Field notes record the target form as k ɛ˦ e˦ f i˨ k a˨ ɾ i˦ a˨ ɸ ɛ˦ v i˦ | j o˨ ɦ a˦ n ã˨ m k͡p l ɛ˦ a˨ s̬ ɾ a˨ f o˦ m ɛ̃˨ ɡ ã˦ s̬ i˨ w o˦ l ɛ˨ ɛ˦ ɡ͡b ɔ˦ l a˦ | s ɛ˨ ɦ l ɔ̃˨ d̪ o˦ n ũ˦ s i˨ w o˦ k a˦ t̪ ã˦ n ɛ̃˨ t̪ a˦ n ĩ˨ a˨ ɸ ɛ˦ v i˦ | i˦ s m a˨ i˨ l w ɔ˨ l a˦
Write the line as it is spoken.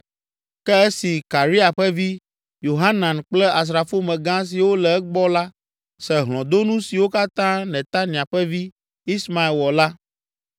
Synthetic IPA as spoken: k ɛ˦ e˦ s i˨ k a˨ ɾ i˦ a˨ ɸ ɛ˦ v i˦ | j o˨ ɦ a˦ n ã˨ n k͡p l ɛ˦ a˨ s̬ ɾ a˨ f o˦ m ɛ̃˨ ɡ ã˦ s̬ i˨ w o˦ l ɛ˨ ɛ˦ ɡ͡b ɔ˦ l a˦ | s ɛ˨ ɦ l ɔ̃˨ d̪ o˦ n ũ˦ s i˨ w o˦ k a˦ t̪ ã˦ n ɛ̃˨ t̪ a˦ n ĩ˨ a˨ ɸ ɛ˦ v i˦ | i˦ s m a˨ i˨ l w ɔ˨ l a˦